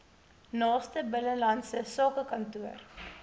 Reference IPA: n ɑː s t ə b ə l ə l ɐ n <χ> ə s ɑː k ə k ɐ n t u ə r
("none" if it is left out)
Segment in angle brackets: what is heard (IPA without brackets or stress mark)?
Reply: s